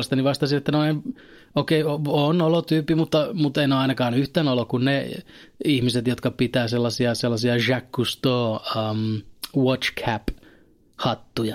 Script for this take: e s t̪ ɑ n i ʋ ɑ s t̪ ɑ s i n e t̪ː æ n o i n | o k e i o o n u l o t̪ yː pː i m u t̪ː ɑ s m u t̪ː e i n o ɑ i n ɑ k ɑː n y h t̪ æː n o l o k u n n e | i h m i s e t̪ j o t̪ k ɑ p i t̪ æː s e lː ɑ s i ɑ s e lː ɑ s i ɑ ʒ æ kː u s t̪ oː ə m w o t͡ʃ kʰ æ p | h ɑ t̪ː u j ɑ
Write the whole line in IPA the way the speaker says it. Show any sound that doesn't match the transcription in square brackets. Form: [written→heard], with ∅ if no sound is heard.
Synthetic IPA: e s t̪ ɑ n i ʋ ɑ s t̪ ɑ s i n e t̪ː æ n o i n | o k e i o o n [u→o] l o t̪ yː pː i m u t̪ː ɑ [s→∅] m u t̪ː e i n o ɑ i n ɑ k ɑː n y h t̪ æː n o l o k u n n e | i h m i s e t̪ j o t̪ k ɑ p i t̪ æː s e lː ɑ s i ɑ s e lː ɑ s i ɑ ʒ æ kː u s t̪ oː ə m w o t͡ʃ kʰ æ p | h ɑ t̪ː u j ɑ